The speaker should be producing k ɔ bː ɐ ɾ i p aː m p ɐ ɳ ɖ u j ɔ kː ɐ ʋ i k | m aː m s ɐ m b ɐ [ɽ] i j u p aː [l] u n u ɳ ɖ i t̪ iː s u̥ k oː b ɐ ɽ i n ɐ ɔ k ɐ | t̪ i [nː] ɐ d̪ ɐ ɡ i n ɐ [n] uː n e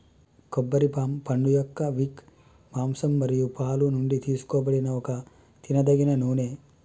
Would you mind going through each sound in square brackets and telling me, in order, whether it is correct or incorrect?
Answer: incorrect: ɾ, correct, incorrect: n, correct

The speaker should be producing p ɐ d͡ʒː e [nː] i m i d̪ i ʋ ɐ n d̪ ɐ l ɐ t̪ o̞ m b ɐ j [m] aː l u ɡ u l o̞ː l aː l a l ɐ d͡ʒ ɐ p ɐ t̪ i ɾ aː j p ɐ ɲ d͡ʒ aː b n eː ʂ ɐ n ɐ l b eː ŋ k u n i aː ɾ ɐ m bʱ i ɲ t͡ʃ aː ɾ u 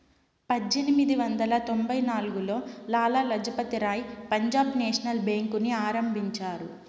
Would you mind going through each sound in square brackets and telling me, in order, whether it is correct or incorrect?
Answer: incorrect: n, incorrect: n

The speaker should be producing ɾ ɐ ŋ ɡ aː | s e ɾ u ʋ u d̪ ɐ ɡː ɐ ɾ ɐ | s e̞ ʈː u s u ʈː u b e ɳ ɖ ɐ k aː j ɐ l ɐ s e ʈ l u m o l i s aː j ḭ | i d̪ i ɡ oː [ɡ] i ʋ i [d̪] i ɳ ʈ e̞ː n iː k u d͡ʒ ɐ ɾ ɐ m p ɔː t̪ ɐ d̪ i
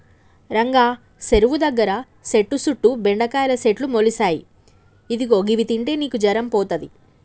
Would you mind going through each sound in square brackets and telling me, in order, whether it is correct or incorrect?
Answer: correct, incorrect: t̪

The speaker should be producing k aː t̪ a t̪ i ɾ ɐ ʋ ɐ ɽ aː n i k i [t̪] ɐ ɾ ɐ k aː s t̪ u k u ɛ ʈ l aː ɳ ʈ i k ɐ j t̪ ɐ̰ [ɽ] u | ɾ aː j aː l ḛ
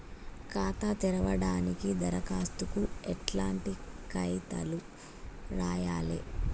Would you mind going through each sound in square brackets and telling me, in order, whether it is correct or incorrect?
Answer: incorrect: d̪, incorrect: l

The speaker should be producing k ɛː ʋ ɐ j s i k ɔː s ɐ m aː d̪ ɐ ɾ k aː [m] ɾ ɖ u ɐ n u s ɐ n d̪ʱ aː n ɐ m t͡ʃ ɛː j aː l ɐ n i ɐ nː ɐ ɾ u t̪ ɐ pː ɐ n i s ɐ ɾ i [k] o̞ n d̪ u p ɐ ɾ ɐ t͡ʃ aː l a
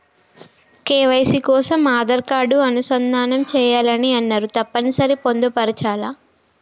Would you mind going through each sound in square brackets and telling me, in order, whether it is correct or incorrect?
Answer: incorrect: none, incorrect: p

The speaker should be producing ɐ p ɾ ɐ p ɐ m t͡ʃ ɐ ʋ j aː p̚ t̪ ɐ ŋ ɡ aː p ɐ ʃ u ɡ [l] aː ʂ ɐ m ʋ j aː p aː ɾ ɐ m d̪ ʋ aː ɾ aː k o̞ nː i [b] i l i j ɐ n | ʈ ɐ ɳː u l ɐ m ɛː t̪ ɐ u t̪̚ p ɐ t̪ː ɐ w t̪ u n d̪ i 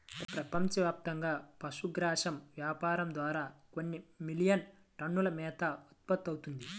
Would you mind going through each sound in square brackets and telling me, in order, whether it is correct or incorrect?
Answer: incorrect: ɾ, incorrect: m

